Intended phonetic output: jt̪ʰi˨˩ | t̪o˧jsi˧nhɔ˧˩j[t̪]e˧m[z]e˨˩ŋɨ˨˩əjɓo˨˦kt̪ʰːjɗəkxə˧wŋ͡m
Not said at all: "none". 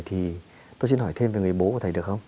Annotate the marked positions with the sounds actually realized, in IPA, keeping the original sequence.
t̪ʰ, v

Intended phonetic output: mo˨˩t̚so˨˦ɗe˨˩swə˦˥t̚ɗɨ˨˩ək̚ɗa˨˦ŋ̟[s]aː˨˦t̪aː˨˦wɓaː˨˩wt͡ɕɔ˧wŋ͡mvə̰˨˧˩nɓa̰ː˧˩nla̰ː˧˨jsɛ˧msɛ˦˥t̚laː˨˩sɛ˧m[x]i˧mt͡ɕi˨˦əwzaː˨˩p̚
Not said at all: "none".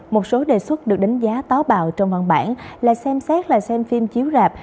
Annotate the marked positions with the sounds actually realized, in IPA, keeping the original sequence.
z, f

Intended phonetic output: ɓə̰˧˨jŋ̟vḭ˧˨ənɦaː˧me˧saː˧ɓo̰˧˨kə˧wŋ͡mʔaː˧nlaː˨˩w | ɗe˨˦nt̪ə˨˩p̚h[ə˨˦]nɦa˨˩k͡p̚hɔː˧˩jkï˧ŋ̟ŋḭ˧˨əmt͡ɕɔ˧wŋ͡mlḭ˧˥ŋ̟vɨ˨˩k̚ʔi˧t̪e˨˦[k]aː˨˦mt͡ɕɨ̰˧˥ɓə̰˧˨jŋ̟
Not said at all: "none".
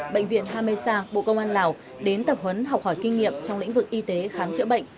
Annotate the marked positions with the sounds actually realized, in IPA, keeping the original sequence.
ə˨˦, x

